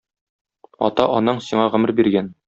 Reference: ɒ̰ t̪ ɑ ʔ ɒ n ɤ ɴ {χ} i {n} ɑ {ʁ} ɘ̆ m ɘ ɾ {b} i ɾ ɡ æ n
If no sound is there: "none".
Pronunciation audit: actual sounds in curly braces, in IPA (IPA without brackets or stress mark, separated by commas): s, ɴ, ʁ, b